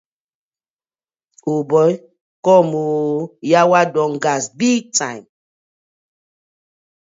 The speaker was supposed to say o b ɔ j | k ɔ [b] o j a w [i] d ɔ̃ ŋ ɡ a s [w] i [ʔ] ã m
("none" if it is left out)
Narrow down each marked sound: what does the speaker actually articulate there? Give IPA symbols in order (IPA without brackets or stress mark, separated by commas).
m, a, b, t